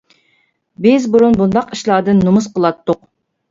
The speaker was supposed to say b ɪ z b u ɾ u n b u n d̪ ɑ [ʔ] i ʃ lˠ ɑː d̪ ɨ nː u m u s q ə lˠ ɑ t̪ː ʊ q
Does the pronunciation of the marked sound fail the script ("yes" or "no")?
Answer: yes